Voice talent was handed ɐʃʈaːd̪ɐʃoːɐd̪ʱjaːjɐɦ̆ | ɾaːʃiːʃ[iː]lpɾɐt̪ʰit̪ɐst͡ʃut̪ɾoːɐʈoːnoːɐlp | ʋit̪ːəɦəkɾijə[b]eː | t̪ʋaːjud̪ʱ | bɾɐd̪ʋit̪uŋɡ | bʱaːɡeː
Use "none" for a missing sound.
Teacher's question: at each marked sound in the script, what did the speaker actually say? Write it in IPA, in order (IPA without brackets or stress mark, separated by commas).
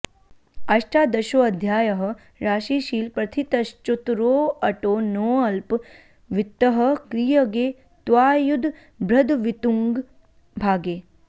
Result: iː, ɡ